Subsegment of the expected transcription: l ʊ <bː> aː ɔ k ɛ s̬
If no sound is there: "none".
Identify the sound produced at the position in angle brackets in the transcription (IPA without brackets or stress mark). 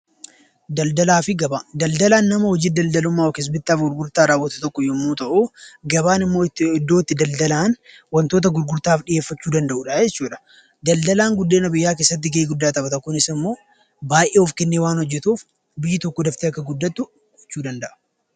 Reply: mː